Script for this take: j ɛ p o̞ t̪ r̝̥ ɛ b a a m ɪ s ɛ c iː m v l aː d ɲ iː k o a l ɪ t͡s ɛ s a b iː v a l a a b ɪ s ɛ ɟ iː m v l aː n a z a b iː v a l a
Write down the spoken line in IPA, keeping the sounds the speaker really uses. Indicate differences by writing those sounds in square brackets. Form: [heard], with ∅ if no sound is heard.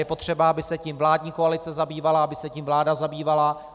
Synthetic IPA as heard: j ɛ p o̞ t̪ r̝̥ ɛ b a a [b] ɪ s ɛ c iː m v l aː d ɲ iː k o a l ɪ t͡s ɛ [z] a b iː v a l a a b ɪ s ɛ [c] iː m v l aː [d] a z a b iː v a l a